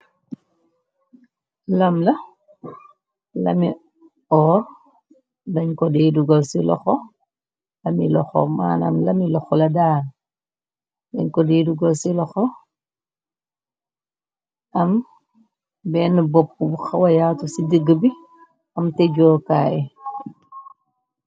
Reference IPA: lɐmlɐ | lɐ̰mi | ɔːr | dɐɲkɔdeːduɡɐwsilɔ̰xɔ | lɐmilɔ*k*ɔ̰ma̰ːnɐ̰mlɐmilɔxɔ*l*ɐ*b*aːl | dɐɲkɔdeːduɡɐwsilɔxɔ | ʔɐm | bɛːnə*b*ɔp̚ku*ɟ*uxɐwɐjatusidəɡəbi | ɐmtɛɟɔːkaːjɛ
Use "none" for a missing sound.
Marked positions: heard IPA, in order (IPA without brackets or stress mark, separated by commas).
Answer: x, l, d, b, b